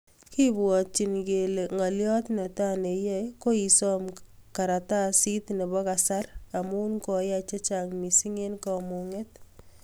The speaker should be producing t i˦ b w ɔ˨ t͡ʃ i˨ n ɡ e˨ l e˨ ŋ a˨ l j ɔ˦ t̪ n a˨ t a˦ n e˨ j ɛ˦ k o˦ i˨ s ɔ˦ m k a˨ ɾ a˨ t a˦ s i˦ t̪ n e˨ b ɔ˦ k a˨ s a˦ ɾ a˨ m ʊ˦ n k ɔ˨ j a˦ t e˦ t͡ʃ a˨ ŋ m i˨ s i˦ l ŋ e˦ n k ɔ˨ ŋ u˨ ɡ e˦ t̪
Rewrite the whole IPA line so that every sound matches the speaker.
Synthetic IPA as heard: k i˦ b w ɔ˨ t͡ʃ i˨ n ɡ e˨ l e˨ ŋ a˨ l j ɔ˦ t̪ n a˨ t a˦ n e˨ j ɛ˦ k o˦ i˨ s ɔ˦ m k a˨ ɾ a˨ t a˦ s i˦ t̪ n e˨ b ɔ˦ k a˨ s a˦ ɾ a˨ m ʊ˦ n k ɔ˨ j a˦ t͡ʃ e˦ t͡ʃ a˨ ŋ m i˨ s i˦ ŋ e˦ n k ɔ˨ m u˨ ŋ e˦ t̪